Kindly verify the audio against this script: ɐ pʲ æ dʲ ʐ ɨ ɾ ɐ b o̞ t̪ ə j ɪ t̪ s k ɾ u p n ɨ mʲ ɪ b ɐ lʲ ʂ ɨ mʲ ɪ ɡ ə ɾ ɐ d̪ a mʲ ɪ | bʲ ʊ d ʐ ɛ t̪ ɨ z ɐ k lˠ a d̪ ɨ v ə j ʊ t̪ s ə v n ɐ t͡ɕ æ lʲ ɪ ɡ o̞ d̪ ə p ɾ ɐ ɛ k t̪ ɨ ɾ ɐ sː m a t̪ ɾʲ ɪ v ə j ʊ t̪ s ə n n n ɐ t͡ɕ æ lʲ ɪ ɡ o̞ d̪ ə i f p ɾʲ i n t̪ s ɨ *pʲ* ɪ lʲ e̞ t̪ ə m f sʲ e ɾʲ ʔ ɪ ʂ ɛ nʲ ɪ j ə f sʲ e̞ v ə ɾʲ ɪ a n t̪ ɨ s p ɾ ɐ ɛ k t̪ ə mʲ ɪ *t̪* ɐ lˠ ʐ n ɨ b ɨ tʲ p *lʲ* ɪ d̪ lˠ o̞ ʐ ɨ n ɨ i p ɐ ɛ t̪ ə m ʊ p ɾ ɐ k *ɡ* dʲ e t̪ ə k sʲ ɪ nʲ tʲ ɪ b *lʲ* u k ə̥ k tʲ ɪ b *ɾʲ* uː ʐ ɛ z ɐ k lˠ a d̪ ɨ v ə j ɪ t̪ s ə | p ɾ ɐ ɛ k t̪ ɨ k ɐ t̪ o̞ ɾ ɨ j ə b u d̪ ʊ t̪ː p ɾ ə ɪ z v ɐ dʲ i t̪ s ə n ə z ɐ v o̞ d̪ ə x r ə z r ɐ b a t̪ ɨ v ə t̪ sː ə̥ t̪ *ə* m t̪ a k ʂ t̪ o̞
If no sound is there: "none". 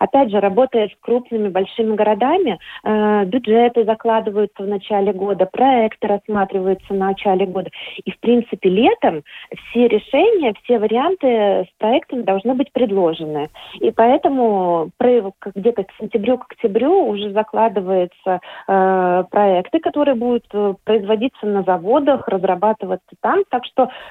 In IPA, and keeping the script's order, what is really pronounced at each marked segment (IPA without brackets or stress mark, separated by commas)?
pʲ, d̪, ɾʲ, ɡ, ɾʲ, ɾʲ, a